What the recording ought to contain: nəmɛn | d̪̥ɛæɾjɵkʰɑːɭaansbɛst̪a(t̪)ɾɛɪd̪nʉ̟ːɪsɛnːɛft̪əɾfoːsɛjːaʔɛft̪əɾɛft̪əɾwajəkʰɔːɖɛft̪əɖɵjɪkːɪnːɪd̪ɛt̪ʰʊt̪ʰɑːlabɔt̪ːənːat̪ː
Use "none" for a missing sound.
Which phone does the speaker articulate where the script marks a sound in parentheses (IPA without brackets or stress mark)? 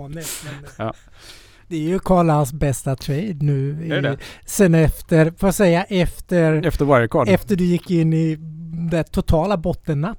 t̪ʰ